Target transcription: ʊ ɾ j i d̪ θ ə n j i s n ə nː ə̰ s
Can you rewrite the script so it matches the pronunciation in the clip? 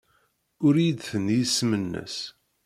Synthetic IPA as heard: ʊ ɾ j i d̪ θ ə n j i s m ə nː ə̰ s